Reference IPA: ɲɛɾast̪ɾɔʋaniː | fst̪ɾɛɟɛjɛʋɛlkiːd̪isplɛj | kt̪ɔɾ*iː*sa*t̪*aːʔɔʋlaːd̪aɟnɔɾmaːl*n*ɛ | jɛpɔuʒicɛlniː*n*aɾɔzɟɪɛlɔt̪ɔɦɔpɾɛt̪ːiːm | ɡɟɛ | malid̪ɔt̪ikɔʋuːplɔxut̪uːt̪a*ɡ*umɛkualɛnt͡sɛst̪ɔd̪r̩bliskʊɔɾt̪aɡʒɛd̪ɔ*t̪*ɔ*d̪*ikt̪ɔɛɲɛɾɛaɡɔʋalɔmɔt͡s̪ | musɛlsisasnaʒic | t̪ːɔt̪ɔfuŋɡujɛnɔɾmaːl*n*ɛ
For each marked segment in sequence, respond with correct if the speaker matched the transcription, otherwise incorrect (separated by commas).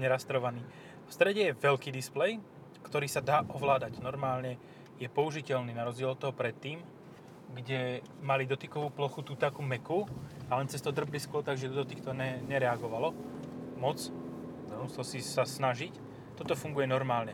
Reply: correct, incorrect, incorrect, correct, incorrect, incorrect, incorrect, incorrect